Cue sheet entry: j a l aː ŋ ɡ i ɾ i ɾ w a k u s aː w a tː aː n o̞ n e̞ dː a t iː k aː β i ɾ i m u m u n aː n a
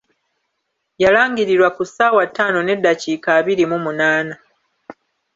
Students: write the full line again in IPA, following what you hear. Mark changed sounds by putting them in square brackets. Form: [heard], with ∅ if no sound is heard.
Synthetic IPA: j a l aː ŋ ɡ i ɾ i ɾ w a k u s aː w a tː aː n o̞ n e̞ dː a [c] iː k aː β i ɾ i m u m u n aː n a